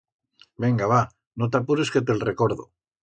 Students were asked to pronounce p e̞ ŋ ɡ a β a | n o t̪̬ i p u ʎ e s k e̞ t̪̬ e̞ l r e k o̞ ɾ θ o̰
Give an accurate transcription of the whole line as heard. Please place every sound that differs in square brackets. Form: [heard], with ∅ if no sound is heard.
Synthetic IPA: [b] e̞ ŋ ɡ a β a | n o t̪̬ [a] p u [ɾ] e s k e̞ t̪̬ e̞ l r e k o̞ ɾ [ð] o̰